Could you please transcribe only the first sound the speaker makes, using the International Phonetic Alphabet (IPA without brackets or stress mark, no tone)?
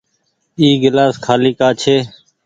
iː